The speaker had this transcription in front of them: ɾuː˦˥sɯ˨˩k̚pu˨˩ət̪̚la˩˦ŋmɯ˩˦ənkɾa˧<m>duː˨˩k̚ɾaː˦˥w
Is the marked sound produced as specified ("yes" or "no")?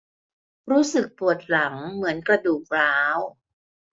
no